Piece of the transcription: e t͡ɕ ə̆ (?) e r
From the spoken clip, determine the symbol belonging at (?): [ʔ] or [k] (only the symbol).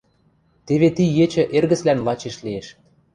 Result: ʔ